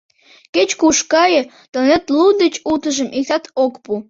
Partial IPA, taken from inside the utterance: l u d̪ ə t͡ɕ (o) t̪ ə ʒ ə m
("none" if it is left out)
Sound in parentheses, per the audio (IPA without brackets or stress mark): u